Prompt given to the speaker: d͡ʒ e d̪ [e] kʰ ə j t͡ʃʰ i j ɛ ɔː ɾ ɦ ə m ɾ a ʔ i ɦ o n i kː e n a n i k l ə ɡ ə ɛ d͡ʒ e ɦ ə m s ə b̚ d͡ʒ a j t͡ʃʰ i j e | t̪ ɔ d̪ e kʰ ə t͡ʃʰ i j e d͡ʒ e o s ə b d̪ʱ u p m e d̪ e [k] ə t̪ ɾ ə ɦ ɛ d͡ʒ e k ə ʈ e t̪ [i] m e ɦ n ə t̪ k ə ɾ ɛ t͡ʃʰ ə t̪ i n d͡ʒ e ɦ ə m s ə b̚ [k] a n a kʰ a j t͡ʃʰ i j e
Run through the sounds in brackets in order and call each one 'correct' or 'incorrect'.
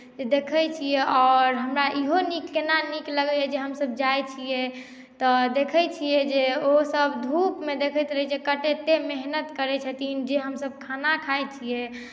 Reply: correct, incorrect: kʰ, incorrect: e, incorrect: kʰ

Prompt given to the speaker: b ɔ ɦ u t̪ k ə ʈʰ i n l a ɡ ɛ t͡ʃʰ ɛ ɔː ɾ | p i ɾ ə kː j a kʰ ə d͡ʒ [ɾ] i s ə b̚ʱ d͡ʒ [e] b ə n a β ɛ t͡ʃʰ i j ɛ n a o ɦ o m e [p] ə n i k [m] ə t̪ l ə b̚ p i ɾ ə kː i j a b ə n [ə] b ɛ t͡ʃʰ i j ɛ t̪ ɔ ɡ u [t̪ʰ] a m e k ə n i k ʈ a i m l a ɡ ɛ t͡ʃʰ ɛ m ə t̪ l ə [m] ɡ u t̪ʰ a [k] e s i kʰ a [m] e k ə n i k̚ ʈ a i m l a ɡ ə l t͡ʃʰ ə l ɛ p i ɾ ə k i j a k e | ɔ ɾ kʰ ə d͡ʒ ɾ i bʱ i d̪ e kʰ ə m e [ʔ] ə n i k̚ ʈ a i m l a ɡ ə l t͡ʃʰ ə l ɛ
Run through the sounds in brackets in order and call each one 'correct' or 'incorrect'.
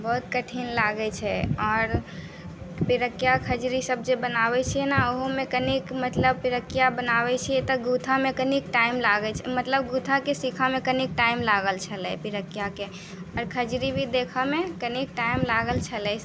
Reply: correct, correct, incorrect: k, correct, incorrect: a, correct, incorrect: b, correct, correct, incorrect: k

